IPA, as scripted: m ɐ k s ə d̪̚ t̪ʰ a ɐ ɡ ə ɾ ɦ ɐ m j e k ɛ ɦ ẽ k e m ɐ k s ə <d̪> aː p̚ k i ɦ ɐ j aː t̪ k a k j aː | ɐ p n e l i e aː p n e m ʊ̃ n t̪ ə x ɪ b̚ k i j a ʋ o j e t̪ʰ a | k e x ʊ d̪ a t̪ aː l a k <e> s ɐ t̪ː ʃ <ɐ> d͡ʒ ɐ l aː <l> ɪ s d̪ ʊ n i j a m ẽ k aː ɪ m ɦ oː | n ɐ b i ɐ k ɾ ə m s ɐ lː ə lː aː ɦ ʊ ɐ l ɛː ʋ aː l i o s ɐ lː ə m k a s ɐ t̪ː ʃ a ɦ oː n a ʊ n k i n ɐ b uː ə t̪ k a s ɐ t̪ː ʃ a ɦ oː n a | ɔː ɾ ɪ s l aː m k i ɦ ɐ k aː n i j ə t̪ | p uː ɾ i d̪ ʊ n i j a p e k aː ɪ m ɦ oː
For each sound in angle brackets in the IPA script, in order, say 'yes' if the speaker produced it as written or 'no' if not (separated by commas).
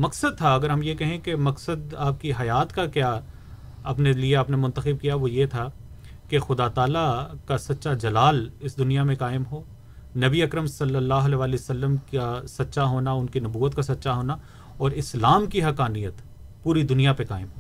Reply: yes, no, no, yes